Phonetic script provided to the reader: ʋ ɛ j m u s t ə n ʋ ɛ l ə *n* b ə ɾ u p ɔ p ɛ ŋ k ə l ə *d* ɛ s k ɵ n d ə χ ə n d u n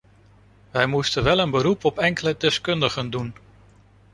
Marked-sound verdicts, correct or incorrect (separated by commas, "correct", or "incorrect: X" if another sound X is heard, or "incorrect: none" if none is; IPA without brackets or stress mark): correct, correct